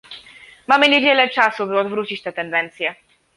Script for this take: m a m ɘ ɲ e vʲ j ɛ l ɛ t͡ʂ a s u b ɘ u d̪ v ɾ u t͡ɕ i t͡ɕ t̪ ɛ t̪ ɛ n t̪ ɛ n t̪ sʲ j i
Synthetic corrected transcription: m a m ɘ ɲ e vʲ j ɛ l ɛ t͡ʂ a s u b ɘ ɔ d̪ v ɾ u t͡ɕ i t͡ɕ t̪ ɛ t̪ ɛ n d̪ ɛ n t̪ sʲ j ɛ